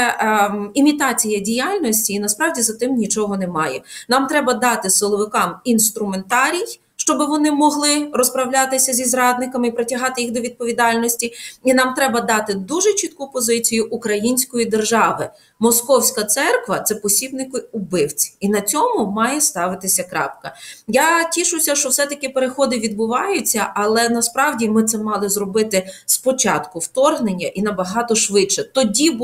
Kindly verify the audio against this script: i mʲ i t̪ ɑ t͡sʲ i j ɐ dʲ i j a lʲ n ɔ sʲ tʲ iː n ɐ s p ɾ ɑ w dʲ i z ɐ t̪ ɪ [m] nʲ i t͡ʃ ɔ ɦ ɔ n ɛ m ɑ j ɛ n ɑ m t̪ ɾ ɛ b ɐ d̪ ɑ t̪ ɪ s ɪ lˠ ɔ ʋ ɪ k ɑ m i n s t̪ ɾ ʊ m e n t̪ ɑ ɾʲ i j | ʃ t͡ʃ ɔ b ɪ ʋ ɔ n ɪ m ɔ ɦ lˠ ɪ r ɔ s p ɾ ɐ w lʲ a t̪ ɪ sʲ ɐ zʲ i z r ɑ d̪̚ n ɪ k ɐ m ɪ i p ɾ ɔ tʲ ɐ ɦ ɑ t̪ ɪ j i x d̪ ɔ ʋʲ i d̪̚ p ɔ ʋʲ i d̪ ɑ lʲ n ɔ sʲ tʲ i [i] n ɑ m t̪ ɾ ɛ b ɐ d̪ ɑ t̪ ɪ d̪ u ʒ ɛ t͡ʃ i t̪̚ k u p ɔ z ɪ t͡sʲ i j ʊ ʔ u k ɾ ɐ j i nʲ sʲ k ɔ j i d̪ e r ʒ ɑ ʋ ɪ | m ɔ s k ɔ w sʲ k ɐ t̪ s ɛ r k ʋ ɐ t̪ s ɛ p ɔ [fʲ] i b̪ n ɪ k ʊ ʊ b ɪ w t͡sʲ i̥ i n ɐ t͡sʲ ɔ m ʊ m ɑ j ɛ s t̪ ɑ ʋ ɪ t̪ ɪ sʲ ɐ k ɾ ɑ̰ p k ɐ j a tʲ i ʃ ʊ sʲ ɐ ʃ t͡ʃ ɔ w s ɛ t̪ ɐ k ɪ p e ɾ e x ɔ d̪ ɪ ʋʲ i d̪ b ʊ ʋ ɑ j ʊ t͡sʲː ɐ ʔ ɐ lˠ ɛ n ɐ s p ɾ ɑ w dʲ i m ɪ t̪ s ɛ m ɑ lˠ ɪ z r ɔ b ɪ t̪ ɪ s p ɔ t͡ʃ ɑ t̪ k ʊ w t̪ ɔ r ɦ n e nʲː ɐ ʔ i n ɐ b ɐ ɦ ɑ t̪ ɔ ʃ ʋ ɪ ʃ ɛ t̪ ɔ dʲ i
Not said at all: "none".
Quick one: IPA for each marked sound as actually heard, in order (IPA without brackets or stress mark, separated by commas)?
m, i, sʲ